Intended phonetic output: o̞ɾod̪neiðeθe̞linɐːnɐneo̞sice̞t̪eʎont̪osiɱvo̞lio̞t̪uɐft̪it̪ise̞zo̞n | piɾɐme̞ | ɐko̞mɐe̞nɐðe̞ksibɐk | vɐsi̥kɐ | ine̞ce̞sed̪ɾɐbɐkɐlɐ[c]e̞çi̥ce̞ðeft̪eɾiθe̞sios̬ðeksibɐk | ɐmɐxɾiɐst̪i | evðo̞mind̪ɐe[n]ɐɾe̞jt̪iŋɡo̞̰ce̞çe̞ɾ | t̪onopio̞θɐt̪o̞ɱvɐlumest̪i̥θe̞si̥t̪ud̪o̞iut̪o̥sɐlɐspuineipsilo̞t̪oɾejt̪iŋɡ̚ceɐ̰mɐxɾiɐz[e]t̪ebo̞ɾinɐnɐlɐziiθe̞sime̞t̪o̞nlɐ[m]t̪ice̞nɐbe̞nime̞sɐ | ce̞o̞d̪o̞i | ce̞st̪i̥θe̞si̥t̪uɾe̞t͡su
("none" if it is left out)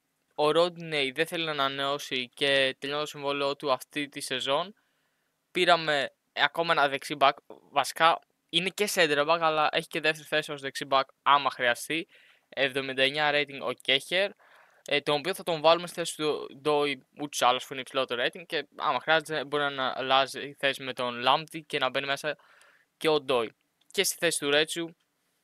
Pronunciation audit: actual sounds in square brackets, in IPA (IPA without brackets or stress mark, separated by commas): ʔ, ɲ, e, m